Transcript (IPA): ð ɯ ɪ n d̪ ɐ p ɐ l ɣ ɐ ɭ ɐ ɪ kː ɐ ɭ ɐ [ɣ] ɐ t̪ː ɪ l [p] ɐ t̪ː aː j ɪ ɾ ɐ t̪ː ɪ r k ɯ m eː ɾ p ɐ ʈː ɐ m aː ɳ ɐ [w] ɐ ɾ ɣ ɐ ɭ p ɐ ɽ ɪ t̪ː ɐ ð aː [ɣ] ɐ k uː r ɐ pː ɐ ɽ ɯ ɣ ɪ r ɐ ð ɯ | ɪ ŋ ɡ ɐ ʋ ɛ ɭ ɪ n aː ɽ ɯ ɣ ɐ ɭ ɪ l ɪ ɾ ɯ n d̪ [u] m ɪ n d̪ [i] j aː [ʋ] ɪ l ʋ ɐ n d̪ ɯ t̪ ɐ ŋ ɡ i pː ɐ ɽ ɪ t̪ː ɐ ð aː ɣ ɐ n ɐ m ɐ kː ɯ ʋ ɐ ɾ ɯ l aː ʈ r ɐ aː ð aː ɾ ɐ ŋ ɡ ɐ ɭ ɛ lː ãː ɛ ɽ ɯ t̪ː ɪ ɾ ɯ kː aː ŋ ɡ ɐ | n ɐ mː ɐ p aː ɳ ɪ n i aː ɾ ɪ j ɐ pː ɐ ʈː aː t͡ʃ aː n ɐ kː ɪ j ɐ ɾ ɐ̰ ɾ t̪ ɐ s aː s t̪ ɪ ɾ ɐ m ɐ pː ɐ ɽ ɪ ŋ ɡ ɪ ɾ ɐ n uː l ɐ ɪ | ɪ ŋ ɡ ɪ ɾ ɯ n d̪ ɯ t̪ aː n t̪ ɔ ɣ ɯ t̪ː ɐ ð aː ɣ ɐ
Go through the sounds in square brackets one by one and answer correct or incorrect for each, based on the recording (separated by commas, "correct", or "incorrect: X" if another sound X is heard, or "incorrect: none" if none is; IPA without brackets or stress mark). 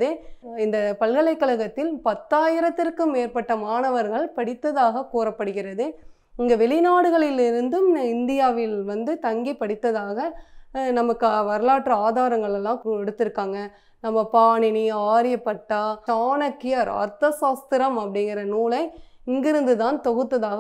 correct, correct, incorrect: ʋ, correct, incorrect: ɯ, incorrect: ɪ, correct